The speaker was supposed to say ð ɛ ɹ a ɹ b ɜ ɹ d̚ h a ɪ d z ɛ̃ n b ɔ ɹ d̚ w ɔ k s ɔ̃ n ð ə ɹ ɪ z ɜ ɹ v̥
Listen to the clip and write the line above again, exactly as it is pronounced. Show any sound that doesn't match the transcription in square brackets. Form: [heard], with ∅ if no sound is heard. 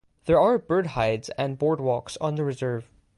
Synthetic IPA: ð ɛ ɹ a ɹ b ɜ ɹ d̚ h a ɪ d z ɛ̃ n b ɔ ɹ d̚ w ɔ k s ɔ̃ n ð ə ɹ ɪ z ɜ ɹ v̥